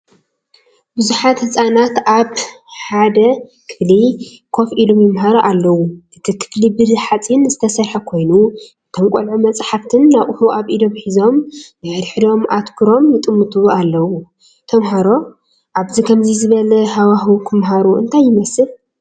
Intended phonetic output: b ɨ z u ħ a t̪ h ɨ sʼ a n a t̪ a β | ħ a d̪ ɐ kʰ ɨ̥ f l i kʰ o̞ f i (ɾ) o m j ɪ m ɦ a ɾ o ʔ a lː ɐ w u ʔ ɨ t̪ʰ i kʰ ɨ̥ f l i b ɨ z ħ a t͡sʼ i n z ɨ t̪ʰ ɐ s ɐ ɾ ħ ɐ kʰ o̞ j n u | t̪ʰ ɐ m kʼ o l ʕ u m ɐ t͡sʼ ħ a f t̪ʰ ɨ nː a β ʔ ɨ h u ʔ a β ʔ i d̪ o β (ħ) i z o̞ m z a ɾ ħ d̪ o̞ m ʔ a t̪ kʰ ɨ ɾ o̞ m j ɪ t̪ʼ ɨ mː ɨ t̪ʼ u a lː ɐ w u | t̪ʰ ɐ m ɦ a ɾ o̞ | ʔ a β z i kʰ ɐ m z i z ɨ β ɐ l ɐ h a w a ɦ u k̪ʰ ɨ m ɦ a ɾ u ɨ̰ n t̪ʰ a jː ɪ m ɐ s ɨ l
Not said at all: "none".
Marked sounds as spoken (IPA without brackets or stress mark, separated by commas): l, ħ